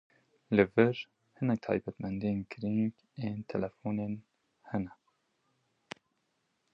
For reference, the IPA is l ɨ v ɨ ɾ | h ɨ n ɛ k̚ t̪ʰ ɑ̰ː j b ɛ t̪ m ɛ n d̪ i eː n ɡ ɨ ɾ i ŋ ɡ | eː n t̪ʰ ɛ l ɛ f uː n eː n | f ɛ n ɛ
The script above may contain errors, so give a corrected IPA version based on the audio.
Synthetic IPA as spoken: l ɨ v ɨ ɾ | h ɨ n ɛ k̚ t̪ʰ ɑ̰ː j b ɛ t̪ m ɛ n d̪ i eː n ɡ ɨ ɾ i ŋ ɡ | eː n t̪ʰ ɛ l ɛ f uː n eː n | h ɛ n ɛ